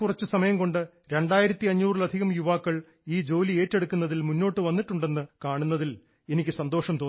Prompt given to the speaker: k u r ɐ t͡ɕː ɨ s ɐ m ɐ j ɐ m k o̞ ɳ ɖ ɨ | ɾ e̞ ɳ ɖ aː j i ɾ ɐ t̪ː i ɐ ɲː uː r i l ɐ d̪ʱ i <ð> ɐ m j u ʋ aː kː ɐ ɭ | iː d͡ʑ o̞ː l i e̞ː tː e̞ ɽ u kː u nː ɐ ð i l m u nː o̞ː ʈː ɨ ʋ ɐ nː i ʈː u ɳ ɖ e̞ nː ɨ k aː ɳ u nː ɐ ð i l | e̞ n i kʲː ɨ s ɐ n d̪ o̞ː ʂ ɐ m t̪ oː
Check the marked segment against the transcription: incorrect: ɣ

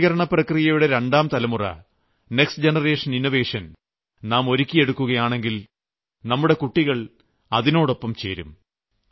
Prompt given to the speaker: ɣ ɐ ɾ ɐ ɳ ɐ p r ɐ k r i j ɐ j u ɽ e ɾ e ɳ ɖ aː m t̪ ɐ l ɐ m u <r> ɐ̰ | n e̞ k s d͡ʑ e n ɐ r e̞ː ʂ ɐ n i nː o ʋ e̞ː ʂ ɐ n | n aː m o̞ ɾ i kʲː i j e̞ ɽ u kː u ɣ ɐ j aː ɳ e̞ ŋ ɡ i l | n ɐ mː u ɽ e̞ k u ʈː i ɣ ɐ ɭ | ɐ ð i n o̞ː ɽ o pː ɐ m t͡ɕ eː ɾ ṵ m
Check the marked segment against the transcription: correct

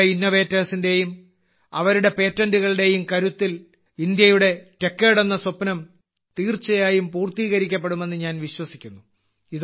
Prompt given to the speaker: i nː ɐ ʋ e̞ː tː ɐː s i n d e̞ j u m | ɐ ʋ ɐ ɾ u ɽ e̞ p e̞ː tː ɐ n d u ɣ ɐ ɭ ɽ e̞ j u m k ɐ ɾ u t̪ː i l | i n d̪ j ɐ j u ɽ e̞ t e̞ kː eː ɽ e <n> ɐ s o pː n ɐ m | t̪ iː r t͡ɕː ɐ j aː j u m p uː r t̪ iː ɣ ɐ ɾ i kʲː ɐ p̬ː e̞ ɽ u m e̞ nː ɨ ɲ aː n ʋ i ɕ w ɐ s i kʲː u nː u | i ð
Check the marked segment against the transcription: incorrect: nː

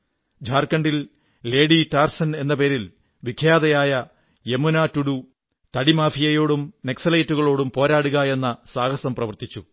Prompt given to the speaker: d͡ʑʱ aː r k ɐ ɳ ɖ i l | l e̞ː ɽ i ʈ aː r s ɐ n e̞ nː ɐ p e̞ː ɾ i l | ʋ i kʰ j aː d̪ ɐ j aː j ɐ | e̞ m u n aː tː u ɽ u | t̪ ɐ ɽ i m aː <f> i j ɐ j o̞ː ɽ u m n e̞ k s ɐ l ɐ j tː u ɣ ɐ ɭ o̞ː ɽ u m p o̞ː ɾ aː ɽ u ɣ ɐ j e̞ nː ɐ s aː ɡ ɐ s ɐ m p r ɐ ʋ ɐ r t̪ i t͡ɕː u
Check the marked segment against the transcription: correct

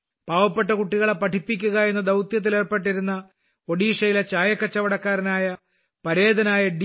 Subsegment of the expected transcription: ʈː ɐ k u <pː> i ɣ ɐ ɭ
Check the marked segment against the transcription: incorrect: ʈː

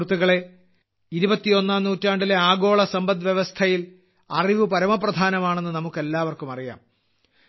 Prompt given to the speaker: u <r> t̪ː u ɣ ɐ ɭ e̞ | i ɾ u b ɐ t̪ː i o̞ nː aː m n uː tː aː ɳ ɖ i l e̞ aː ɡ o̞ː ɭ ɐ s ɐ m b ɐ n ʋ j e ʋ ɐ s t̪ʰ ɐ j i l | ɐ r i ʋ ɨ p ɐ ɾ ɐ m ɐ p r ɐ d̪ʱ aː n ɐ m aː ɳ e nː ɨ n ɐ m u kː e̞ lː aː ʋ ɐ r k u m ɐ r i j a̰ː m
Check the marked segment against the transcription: incorrect: none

